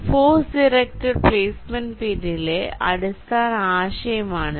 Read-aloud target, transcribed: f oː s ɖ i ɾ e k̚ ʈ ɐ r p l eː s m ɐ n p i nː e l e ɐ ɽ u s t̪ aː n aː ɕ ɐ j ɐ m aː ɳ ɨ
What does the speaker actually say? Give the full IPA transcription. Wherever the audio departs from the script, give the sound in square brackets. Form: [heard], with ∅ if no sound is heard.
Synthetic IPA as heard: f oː s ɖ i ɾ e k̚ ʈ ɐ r p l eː s m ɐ n p i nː [i] l e ɐ ɽ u s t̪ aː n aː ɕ ɐ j ɐ m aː ɳ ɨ

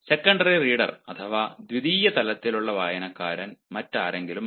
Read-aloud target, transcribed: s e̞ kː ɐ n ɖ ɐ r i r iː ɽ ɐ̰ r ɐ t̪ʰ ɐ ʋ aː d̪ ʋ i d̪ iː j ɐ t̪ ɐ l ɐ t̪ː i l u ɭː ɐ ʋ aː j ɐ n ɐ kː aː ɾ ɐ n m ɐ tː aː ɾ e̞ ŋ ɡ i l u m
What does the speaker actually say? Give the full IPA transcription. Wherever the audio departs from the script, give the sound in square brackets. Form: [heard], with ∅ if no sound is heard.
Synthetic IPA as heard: s e̞ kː ɐ [ɳ] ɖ ɐ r i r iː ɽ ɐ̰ r ɐ t̪ʰ ɐ ʋ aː d̪ ʋ i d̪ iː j ɐ t̪ ɐ l ɐ t̪ː i l u ɭː ɐ ʋ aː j ɐ n ɐ kː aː ɾ ɐ n m ɐ tː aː ɾ e̞ ŋ ɡ i l u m

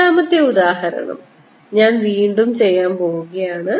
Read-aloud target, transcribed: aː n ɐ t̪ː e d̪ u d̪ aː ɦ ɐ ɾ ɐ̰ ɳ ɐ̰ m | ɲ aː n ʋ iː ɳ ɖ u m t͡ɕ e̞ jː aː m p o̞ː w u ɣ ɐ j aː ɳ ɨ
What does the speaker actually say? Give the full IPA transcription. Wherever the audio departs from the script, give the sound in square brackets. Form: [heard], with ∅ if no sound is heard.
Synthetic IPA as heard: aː [m] ɐ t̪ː e [∅] u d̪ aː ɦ ɐ ɾ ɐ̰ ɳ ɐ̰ m | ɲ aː n ʋ iː ɳ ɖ u m t͡ɕ e̞ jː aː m p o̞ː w u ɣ ɐ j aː ɳ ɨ

